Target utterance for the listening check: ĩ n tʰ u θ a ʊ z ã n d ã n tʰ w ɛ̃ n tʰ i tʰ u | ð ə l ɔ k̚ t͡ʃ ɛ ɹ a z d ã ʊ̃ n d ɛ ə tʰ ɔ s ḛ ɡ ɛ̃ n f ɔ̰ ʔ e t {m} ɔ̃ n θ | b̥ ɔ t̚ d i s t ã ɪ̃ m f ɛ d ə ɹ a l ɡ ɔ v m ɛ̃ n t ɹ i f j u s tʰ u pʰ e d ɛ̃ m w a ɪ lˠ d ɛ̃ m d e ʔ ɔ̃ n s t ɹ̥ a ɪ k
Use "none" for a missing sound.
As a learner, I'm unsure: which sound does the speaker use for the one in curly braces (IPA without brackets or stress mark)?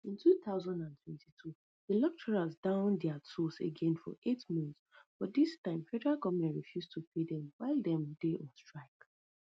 m